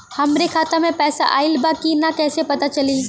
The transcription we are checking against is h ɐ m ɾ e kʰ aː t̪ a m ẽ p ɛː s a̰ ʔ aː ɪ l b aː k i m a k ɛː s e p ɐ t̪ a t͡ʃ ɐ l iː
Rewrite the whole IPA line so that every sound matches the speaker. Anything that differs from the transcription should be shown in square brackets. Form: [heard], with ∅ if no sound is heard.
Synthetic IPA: h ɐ m ɾ e kʰ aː t̪ a m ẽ p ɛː s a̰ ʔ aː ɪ l b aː k i [n] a k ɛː s e p ɐ t̪ a t͡ʃ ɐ l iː